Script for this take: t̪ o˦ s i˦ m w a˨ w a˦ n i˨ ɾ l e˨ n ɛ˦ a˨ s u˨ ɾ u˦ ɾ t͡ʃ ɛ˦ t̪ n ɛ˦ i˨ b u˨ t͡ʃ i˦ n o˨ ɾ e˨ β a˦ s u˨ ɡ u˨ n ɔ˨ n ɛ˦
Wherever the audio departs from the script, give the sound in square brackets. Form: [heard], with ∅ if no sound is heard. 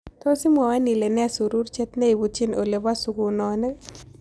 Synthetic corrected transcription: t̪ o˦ s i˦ m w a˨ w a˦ n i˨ [∅] l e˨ n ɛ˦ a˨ s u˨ ɾ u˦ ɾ t͡ʃ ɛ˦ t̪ n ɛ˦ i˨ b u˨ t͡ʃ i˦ n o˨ [l] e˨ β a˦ s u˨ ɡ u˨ n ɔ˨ n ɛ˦